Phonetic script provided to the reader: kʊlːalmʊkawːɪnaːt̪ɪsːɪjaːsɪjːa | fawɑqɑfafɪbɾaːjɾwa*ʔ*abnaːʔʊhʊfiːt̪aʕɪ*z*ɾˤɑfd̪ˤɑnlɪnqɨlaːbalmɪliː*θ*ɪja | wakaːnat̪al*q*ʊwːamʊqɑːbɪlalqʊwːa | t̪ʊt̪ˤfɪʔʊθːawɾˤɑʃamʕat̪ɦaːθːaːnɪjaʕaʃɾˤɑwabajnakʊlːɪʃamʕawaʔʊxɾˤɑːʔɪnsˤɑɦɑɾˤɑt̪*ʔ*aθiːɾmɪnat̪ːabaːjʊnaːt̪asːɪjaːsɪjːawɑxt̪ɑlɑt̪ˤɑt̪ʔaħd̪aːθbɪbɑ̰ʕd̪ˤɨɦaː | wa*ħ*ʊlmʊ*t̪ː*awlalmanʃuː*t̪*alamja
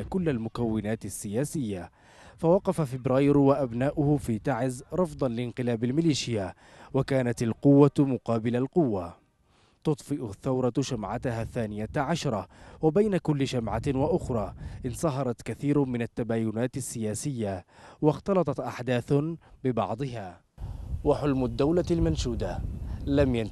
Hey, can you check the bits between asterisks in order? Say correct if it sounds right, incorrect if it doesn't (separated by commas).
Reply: correct, correct, incorrect, correct, incorrect, correct, incorrect, incorrect